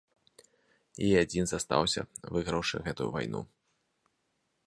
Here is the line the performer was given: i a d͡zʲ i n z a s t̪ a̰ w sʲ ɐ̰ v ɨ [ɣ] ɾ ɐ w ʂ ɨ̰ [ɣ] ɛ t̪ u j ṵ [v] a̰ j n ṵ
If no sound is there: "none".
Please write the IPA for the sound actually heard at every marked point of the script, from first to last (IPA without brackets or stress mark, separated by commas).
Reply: ɣ, ɣ, v